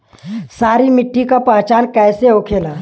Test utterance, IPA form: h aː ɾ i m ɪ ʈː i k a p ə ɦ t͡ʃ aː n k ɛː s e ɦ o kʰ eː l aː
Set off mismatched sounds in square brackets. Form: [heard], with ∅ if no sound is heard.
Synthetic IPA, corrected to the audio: [s] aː ɾ i m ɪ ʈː i k a p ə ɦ t͡ʃ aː n k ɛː s e ɦ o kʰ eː l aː

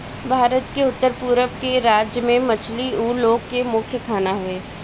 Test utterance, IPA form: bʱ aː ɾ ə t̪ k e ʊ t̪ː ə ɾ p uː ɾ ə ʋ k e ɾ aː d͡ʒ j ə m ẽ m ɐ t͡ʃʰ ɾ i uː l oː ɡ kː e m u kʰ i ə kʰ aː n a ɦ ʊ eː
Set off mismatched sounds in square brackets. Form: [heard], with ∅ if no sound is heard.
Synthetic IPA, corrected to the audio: bʱ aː ɾ ə t̪ k e ʊ t̪ː ə ɾ p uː ɾ ə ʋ k e ɾ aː d͡ʒ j ə m ẽ m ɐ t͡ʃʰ [l] i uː l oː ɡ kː e m [ʊ] kʰ [j] ə kʰ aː n a ɦ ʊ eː

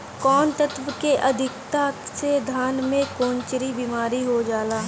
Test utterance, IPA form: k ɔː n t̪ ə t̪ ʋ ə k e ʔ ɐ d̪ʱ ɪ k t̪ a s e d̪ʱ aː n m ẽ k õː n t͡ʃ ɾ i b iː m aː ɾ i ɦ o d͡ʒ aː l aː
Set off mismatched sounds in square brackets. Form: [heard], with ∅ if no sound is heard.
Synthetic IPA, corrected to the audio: k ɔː n t̪ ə t̪ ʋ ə k e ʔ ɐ d̪ʱ ɪ k t̪ a s e d̪ʱ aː n m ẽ k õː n t͡ʃ ɾ i b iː m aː ɾ i ɦ o d͡ʒ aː l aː

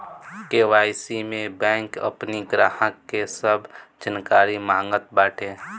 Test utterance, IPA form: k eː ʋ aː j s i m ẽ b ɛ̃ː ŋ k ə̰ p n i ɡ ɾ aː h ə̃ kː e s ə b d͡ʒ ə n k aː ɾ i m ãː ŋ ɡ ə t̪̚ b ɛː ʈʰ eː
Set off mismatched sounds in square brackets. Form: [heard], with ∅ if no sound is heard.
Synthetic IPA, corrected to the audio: k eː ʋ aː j s i m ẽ b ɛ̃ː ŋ k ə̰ p n i ɡ ɾ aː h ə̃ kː e s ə b d͡ʒ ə n k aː ɾ i m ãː ŋ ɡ ə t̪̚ b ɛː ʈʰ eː

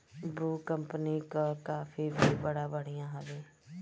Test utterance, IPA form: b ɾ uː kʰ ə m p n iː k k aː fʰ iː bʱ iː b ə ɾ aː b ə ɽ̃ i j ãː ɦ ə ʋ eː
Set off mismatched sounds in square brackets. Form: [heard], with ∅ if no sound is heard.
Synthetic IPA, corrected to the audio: b ɾ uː [k] ə m p n iː k k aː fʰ iː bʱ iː b ə [ɽ] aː b ə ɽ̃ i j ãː ɦ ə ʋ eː

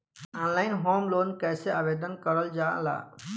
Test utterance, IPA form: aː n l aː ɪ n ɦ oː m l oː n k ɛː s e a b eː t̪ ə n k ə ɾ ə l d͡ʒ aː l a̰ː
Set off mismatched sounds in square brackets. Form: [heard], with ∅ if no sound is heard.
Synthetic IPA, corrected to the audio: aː n l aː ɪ n ɦ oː m l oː n k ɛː s e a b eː [d̪] ə n k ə ɾ ə l d͡ʒ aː l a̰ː

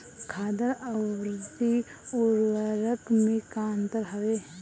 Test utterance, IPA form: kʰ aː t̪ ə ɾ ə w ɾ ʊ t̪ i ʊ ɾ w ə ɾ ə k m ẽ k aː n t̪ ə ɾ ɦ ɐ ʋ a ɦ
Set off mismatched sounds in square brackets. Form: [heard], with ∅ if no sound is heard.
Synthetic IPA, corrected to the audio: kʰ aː [d̪] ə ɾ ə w ɾ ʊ [d̪] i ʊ ɾ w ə ɾ ə k m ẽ k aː n t̪ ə ɾ ɦ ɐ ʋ [e] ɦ

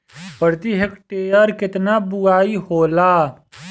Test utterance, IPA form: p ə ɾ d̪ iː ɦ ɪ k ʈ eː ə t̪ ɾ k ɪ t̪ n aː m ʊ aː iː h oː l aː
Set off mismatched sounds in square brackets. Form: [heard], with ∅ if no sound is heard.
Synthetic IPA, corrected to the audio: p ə ɾ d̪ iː ɦ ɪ k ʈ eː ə [∅] ɾ k ɪ t̪ n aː [b] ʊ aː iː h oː l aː

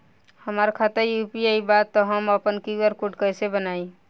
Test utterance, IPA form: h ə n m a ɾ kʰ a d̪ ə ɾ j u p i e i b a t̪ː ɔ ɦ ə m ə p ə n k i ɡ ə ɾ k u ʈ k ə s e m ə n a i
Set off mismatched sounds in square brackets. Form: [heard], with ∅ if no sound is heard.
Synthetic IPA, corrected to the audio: h ə [∅] m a ɾ kʰ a [t̪] ə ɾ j u p i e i b a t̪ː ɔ ɦ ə m ə p ə n k i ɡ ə ɾ k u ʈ k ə s e [b] ə n a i

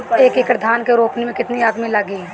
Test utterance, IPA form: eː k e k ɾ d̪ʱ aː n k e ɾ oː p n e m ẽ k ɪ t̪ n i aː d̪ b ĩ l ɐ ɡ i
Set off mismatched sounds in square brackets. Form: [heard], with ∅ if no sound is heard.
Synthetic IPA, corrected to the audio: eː k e k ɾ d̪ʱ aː n k e ɾ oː p n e m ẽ k ɪ t̪ n i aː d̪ [m] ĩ l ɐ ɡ i

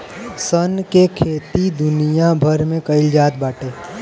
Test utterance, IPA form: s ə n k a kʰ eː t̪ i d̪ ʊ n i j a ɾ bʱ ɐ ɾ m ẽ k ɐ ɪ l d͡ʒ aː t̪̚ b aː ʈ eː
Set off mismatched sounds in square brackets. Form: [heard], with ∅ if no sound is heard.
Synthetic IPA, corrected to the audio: s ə n k [e] kʰ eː t̪ i d̪ ʊ n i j a [∅] bʱ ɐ ɾ m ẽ k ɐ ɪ l d͡ʒ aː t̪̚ b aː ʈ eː

